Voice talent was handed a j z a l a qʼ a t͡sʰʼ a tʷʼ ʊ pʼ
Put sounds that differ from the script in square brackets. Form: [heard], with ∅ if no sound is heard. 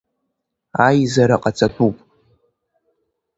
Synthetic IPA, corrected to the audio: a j z a [ɾ] a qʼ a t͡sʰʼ a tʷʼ [u] pʼ